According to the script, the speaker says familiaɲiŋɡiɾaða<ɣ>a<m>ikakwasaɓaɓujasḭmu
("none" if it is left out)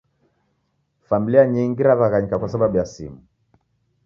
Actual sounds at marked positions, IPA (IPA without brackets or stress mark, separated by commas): ɣ, ɲ